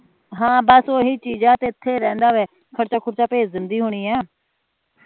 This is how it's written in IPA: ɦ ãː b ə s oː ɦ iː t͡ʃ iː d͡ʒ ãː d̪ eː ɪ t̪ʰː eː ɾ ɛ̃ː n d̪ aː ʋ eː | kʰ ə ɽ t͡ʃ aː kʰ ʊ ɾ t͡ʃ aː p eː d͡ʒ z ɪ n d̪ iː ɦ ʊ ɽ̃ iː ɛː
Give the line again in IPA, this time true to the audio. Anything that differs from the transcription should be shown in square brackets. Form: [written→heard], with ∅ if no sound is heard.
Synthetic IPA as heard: ɦ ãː b ə s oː ɦ iː t͡ʃ iː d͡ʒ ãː [d̪→t̪] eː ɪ t̪ʰː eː ɾ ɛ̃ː n d̪ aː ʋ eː | kʰ ə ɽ t͡ʃ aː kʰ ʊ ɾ t͡ʃ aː p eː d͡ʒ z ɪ n d̪ iː ɦ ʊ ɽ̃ iː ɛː